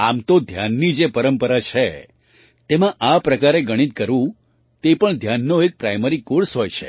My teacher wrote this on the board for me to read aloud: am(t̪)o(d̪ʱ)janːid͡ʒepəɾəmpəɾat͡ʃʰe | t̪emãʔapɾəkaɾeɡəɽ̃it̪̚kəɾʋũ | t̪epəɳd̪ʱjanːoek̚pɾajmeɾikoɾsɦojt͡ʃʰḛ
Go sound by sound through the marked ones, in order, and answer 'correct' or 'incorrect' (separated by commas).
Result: correct, correct